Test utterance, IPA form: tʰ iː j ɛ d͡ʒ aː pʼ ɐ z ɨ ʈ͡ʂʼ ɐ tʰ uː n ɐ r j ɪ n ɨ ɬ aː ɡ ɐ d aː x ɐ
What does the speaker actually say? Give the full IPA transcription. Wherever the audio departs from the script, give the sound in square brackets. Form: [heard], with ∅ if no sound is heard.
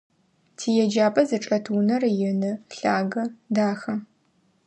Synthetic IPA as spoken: tʰ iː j ɛ d͡ʒ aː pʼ ɐ z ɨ ʈ͡ʂʼ ɐ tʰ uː n ɐ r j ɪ n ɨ ɬ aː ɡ ɐ d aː x ɐ